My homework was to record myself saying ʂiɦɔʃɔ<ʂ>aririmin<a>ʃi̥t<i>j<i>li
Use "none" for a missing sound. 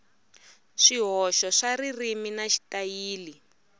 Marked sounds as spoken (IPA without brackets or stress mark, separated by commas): ʂ, a, a, iː